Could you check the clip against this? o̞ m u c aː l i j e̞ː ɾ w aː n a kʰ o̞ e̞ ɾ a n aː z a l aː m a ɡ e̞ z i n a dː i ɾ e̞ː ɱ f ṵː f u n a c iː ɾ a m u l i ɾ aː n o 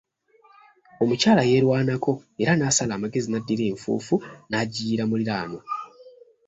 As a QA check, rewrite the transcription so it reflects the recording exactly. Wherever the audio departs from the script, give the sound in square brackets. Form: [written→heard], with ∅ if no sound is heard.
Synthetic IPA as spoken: o̞ m u c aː l [i→a] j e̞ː ɾ w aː n a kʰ o̞ e̞ ɾ a n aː [z→s] a l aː m a ɡ e̞ z i n a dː i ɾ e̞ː ɱ f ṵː f u n a [c→ɟ] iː ɾ a m u l i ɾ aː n o

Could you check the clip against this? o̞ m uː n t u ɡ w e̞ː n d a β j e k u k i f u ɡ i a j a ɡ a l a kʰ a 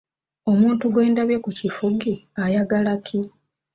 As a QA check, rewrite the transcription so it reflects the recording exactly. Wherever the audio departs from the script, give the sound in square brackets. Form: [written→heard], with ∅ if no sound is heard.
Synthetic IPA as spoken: o̞ m uː n t u ɡ w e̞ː n d a β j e k u [k→c] i f u ɡ i a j a ɡ a l a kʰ [a→i]

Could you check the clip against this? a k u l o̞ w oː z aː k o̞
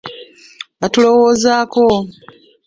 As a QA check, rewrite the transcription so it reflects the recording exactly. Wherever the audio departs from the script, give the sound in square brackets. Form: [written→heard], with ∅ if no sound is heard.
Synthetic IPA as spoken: a [k→t] u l o̞ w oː z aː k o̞

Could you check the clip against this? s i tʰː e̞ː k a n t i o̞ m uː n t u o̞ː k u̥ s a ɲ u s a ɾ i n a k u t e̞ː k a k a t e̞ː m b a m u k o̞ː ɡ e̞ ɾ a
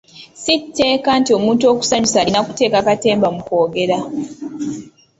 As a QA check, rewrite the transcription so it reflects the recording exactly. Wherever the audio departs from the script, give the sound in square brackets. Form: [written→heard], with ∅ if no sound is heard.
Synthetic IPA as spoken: s i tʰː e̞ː k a n t i o̞ m uː n t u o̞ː k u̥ s a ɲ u s a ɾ i n a k u t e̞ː k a k a t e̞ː m b a m u k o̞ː ɡ e̞ ɾ a

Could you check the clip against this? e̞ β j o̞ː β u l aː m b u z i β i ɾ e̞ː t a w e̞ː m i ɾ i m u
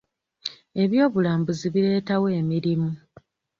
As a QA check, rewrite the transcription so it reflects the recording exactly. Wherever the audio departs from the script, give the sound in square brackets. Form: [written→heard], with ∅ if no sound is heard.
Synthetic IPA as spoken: e̞ β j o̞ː β u l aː m b u z i β i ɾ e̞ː t a w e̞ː m i ɾ i m u

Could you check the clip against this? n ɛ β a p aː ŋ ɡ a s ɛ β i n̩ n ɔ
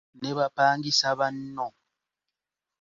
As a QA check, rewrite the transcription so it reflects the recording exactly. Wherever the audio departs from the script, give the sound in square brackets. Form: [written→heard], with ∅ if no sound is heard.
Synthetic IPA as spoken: n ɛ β a p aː ŋ ɡ [a→i] s [ɛ→a] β [i→a] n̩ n ɔ

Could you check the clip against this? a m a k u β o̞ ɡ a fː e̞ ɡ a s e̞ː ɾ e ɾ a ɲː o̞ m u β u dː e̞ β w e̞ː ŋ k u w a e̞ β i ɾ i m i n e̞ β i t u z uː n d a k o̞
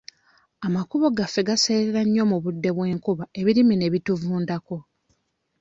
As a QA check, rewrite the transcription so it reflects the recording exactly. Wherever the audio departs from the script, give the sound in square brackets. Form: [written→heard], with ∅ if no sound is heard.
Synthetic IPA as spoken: a m a k u β o̞ ɡ a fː e̞ ɡ a s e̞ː ɾ e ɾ a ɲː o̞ m u β u dː e̞ β w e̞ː ŋ k u [w→β] a e̞ β i ɾ i m i n e̞ β i t u [z→v] uː n d a k o̞

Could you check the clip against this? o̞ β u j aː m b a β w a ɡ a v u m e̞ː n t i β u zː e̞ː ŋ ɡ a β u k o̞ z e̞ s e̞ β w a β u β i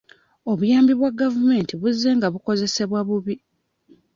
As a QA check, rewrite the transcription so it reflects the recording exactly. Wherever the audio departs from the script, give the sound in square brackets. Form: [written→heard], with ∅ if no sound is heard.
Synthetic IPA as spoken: o̞ β u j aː m b [a→i] β w a ɡ a v u m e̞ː n t i β u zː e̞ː ŋ ɡ a β u k o̞ z e̞ s e̞ β w a β u β i

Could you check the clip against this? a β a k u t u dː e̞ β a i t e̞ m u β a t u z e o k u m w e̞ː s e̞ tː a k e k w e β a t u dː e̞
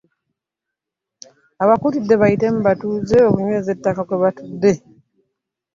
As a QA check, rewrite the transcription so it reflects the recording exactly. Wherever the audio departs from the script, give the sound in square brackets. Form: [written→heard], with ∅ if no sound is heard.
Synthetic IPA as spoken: a β a k u t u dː e̞ β a i t e̞ m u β a t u z e o k u [m→ɲ] w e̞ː [s→z] e̞ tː a k [e→a] k w e β a t u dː e̞

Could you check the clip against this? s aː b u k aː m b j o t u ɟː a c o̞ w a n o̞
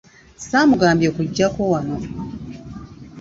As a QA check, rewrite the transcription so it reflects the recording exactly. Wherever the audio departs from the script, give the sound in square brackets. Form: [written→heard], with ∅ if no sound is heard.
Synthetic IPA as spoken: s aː [b→m] u [k→ɡ] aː m b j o [t→k] u ɟː a [c→k] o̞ w a n o̞

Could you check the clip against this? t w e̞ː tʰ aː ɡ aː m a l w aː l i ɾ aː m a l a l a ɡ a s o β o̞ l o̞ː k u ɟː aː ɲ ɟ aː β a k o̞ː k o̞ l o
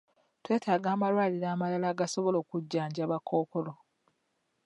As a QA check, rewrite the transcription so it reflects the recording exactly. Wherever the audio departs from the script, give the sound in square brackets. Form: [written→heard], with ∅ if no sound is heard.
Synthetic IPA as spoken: t w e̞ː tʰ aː ɡ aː m a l w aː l i ɾ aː m a l a l a ɡ a s o β o̞ l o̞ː k u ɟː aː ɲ ɟ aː β a k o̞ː k o̞ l o

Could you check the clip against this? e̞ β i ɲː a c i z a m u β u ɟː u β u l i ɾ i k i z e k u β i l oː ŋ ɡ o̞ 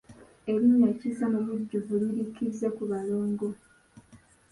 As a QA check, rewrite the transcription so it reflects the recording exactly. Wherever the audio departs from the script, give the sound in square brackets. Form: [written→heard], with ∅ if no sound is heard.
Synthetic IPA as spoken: e̞ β i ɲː a c i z a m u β u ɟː u [β→v] u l i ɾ i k i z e k u β [i→a] l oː ŋ ɡ o̞

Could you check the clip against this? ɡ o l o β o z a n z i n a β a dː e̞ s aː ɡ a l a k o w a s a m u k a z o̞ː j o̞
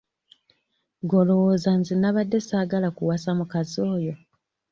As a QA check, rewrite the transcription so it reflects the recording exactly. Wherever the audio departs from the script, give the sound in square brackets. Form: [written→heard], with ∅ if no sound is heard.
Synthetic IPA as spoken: ɡ o l o [β→w] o z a n z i n a β a dː e̞ s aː ɡ a l a k [o→u] w a s a m u k a z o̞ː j o̞

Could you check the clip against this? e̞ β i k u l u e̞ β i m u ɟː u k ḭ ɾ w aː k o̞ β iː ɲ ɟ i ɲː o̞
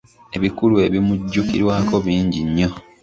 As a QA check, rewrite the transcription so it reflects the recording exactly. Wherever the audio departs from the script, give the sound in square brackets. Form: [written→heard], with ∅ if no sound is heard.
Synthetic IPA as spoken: e̞ β i k u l u e̞ β i m u ɟː u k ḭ ɾ w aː k o̞ β iː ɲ ɟ i ɲː o̞

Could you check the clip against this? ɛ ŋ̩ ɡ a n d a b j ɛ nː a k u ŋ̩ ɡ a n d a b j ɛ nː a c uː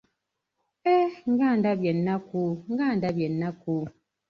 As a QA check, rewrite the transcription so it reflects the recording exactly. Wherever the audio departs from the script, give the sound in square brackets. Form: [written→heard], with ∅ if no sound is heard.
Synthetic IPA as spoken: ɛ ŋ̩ ɡ a n d a b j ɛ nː a k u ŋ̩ ɡ a n d a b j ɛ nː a [c→k] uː

